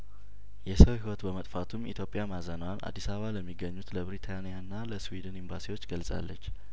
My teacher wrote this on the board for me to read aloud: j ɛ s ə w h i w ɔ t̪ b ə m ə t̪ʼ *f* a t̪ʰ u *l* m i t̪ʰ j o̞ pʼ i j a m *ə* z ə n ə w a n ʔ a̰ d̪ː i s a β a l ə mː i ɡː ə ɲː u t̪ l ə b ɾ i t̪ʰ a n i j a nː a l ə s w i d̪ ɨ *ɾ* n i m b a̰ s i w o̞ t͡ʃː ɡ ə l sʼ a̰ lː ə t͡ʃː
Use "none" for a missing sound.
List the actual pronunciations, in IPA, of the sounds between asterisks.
f, none, a, none

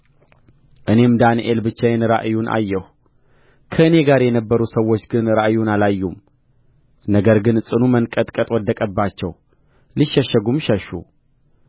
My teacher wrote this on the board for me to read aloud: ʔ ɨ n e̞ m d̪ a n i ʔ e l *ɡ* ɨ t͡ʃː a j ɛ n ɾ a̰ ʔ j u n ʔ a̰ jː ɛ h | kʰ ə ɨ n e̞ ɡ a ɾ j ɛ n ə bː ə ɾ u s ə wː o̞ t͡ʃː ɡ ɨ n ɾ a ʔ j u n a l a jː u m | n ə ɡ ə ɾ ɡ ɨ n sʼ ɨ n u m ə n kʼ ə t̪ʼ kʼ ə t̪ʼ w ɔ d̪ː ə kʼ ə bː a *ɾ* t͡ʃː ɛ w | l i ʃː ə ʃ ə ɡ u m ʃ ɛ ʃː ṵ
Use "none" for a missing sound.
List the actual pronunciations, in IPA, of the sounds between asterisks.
b, none

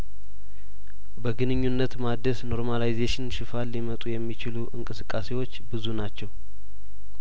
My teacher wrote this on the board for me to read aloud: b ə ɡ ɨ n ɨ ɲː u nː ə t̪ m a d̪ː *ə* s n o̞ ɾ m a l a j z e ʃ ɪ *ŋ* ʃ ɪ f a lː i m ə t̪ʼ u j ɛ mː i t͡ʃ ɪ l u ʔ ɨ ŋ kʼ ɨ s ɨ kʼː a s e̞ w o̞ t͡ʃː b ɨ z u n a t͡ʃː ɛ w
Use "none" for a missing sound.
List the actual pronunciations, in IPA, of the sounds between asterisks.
ə, n

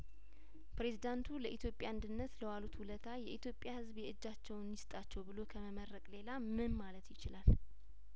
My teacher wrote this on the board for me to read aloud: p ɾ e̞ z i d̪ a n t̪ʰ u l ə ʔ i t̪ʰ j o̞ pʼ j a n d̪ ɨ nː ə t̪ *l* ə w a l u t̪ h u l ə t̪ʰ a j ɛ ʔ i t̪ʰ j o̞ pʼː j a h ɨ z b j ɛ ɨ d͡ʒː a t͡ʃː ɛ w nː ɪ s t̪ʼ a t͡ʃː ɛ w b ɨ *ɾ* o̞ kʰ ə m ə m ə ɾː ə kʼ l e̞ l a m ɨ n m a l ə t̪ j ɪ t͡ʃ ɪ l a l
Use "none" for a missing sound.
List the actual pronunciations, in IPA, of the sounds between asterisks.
l, l

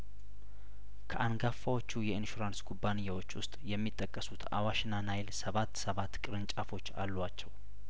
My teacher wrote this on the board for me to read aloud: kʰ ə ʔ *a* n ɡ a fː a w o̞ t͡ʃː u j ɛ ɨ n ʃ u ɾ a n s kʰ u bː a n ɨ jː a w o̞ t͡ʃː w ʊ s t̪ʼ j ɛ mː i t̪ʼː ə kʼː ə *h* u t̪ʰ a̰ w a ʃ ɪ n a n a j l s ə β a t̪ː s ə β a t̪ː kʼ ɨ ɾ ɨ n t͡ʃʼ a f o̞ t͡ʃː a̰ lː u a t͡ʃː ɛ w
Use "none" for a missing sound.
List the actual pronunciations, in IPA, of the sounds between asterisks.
a, s

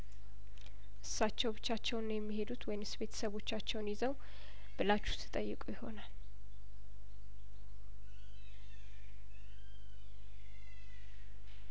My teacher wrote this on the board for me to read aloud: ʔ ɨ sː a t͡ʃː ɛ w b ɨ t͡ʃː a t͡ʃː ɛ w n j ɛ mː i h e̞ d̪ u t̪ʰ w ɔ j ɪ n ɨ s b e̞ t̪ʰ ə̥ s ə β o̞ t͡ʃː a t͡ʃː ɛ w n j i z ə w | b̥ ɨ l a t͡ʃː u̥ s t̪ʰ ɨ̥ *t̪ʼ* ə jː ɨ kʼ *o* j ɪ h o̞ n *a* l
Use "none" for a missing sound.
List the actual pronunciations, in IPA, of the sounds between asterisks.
t̪ʼ, u, a

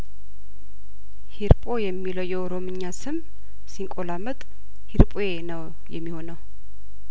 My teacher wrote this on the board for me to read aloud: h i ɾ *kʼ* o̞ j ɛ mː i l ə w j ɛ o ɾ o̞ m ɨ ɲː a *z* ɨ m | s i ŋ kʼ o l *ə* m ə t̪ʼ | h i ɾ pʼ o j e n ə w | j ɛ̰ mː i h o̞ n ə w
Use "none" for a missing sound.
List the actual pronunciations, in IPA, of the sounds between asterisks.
pʼ, s, a

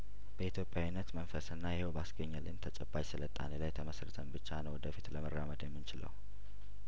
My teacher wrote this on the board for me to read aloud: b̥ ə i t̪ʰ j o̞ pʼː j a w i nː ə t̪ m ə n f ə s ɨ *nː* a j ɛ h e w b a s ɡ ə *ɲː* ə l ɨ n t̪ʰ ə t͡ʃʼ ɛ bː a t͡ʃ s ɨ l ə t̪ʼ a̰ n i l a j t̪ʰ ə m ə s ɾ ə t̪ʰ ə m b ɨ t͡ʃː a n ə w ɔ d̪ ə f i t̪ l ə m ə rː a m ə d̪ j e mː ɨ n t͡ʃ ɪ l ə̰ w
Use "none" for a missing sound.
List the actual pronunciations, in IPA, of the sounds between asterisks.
nː, ɲː

